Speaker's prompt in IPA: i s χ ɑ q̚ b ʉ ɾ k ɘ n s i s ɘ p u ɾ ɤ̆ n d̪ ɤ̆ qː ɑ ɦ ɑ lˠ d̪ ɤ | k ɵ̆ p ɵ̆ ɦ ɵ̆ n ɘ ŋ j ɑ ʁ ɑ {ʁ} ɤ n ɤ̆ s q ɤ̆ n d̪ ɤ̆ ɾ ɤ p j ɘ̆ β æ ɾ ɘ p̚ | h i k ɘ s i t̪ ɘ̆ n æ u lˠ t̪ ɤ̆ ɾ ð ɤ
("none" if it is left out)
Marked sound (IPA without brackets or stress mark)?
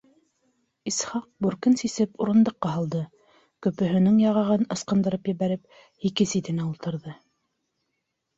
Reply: ʁ